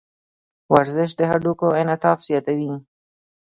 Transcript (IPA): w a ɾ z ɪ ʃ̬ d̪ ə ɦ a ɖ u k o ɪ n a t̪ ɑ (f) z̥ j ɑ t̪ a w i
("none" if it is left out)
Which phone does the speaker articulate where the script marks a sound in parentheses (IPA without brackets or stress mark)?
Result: f